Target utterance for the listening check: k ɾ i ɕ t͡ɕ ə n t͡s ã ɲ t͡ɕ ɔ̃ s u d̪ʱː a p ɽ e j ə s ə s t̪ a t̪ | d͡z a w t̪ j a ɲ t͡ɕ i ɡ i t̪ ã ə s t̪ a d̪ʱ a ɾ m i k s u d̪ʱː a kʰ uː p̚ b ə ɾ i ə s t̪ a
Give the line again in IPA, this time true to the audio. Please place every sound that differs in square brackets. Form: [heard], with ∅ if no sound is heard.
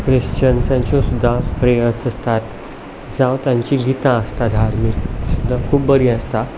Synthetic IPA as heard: k ɾ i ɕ t͡ɕ ə n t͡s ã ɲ t͡ɕ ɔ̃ s u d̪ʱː a p [ɾ] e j ə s ə s t̪ a t̪ | d͡z a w t̪ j a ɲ t͡ɕ i ɡ i t̪ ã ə s t̪ a d̪ʱ a ɾ m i k s u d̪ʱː a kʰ uː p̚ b ə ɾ i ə s t̪ a